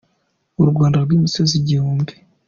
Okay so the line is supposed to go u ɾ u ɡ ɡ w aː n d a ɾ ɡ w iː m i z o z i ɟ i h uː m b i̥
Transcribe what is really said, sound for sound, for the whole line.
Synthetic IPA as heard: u ɾ u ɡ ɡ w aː n d a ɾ ɡ w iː m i s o z i ɟ i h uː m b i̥